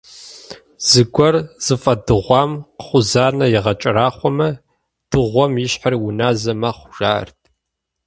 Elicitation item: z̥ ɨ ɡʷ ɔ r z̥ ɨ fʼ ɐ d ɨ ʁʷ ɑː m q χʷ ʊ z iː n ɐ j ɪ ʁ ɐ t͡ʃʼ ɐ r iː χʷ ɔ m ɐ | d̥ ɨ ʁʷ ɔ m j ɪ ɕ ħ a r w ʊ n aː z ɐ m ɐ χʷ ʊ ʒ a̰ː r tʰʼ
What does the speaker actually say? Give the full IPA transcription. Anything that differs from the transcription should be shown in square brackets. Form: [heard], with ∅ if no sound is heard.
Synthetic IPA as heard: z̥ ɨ ɡʷ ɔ r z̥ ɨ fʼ ɐ d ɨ ʁʷ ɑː m q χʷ ʊ z [aː] n ɐ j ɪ ʁ ɐ t͡ʃʼ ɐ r [aː] χʷ ɔ m ɐ | d̥ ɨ ʁʷ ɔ m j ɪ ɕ ħ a r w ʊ n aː z ɐ m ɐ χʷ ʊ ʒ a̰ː r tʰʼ